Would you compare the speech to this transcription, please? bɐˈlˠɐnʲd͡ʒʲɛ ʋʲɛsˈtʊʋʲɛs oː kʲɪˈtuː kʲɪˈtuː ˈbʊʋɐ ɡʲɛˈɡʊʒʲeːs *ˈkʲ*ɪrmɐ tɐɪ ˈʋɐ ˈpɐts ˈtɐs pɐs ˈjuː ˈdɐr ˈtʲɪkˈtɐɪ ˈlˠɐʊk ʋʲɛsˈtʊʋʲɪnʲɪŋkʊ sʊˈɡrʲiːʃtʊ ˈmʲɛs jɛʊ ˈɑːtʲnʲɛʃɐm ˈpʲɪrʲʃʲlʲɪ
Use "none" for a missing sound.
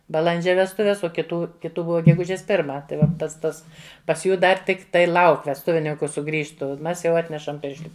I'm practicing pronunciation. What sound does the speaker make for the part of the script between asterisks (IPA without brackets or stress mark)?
pʲ